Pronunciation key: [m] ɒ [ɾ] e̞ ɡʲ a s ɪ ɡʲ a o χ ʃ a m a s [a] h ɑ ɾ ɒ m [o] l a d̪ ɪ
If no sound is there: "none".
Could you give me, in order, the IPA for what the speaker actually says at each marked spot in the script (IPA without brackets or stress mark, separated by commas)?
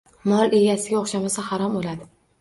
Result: m, l, a, o